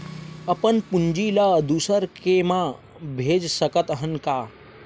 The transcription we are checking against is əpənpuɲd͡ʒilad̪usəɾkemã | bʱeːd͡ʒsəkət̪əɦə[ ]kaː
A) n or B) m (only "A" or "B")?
A